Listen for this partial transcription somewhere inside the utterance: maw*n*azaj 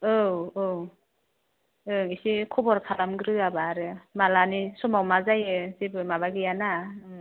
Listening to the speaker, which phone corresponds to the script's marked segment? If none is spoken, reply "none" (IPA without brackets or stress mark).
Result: m